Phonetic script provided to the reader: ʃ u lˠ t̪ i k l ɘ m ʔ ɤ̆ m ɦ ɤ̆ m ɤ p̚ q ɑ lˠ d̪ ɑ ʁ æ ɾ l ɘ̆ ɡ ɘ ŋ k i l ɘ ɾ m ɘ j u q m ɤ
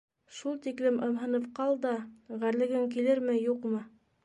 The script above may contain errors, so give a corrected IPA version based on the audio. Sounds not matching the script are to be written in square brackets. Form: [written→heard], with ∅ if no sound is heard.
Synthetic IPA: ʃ u lˠ t̪ i k l ɘ m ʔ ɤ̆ m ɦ ɤ̆ [m→n] ɤ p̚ q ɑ lˠ d̪ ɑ ʁ æ ɾ l ɘ̆ ɡ ɘ ŋ k i l ɘ ɾ m ɘ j u q m ɤ